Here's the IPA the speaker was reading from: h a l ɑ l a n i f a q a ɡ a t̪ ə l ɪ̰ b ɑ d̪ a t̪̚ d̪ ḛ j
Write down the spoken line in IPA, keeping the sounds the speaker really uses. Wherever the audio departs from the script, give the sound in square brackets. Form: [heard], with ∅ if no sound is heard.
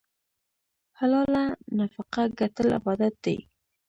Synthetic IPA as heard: h a l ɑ l a n [a] f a q a ɡ a t̪ ə l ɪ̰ b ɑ d̪ a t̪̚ d̪ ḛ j